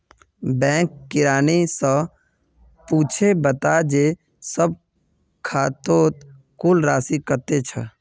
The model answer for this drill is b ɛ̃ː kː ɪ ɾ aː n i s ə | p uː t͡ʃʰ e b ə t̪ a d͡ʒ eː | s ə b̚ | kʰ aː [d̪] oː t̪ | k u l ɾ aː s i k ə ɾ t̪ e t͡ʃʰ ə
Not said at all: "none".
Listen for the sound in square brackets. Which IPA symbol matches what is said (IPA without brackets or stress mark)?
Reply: t̪